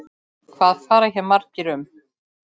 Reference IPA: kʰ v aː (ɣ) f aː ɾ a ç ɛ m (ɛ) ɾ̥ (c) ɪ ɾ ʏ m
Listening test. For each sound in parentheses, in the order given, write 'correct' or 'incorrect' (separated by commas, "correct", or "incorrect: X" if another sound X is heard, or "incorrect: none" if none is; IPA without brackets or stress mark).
incorrect: ð, incorrect: a, correct